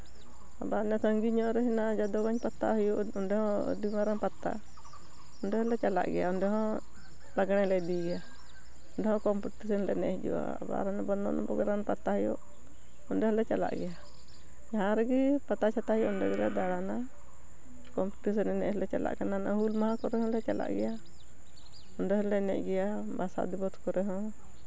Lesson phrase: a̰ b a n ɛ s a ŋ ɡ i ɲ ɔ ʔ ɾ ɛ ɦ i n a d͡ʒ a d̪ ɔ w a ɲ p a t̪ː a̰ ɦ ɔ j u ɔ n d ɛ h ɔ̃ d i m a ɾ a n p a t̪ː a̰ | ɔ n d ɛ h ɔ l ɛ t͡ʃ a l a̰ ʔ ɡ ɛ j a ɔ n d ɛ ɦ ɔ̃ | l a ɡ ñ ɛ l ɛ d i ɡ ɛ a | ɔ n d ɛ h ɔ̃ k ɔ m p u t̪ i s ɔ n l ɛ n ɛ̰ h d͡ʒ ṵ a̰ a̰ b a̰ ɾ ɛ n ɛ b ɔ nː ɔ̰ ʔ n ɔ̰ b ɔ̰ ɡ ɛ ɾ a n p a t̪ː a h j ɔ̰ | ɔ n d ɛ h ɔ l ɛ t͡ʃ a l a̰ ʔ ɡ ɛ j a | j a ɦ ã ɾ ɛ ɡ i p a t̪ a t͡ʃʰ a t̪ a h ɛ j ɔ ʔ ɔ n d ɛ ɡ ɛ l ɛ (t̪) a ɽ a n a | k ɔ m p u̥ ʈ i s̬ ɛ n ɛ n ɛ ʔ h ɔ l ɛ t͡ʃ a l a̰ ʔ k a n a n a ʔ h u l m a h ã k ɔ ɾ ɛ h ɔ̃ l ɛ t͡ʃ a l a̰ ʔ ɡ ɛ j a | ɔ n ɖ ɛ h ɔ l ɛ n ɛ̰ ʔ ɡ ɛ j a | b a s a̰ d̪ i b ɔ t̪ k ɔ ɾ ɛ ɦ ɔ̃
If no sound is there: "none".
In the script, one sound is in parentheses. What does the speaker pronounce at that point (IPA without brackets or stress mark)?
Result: d̪